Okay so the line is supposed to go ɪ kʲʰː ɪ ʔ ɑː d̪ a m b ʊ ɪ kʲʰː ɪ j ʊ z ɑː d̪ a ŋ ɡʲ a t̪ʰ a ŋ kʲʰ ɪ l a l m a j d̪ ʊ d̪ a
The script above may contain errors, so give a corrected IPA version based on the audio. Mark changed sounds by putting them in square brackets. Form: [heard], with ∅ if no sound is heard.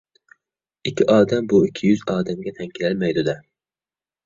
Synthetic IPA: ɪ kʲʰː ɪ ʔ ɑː d̪ a m b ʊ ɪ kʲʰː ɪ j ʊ z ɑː d̪ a [m] ɡʲ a t̪ʰ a ŋ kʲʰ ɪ l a l m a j d̪ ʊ d̪ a